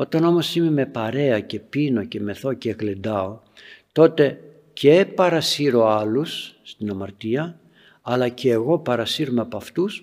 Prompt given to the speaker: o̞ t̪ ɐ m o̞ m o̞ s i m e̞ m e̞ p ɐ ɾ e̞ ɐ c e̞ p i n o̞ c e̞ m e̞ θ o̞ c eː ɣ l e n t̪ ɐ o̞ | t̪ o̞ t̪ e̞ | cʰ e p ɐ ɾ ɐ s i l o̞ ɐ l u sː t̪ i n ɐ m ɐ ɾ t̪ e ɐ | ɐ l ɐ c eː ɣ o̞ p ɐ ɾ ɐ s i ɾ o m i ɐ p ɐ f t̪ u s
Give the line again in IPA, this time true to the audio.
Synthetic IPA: o̞ t̪ ɐ n o̞ m o̞ s i m e̞ m e̞ p ɐ ɾ e̞ ɐ c e̞ p i n o̞ c e̞ m e̞ θ o̞ c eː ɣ l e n d̪ ɐ o̞ | t̪ o̞ t̪ e̞ | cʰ e p ɐ ɾ ɐ s i ɾ o̞ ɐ l u sː t̪ i n ɐ m ɐ ɾ t̪ i ɐ | ɐ l ɐ c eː ɣ o̞ p ɐ ɾ ɐ s i ɾ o m e ɐ p ɐ f t̪ u s